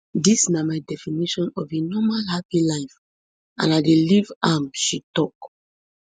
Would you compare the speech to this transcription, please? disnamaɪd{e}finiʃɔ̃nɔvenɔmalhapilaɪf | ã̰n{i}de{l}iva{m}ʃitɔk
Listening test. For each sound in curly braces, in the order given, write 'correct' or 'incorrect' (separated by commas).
incorrect, incorrect, correct, correct